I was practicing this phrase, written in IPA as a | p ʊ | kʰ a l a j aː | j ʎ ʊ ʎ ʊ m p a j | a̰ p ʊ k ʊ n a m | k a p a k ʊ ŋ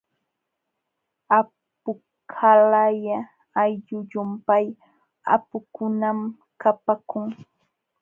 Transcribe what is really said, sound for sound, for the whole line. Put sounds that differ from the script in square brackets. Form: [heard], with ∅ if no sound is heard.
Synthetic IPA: a | p ʊ | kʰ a l a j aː | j ʎ ʊ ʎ ʊ m p a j | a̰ p ʊ k ʊ n a m | k a p a k ʊ ŋ